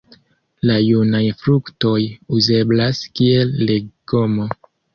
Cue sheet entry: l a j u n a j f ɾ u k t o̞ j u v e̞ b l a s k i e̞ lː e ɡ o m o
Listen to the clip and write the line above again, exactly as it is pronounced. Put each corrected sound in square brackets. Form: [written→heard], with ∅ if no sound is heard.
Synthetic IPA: l a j u n a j f ɾ u k t o̞ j u [v→z] e̞ b l a s k i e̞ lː e ɡ o m o